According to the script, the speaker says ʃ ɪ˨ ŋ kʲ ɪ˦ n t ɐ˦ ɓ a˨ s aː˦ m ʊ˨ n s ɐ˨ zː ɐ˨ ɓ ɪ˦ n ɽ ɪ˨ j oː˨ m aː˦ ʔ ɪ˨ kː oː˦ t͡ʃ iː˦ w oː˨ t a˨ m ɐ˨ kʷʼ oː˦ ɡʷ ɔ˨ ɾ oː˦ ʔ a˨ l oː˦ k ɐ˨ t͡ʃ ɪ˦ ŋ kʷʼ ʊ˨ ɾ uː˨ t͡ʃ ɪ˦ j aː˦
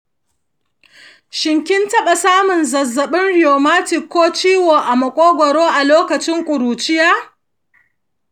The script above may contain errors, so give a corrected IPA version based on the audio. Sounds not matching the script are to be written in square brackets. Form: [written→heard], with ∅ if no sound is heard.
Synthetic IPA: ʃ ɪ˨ ŋ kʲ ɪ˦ n t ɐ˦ ɓ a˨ s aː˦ m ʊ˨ n [s→z] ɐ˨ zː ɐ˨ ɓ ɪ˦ n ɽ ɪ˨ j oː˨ m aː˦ [ʔ→t] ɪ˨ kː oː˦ t͡ʃ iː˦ w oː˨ [t→ʔ] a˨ m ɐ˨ kʷʼ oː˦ ɡʷ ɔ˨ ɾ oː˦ ʔ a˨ l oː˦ k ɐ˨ t͡ʃ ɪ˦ ŋ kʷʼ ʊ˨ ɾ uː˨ t͡ʃ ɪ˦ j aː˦